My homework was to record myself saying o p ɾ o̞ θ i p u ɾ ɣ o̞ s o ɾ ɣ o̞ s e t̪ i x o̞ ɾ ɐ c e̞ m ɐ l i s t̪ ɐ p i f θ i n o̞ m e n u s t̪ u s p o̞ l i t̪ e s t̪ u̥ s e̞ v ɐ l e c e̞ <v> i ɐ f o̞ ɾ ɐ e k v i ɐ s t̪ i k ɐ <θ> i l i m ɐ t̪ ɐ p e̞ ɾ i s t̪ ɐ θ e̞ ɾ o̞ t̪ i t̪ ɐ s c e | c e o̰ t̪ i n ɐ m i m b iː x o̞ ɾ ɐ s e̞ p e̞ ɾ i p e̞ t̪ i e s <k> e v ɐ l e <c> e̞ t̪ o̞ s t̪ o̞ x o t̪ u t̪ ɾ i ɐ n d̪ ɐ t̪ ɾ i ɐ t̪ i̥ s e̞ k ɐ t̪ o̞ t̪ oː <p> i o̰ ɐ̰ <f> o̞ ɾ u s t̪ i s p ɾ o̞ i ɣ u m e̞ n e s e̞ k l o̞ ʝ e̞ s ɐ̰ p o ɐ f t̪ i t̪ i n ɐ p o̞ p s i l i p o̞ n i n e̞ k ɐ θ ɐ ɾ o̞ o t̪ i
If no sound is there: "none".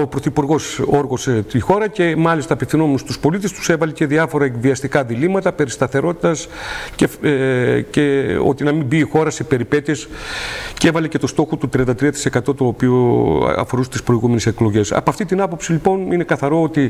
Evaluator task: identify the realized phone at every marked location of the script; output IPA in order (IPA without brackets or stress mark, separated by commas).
ð, ð, c, c, p, f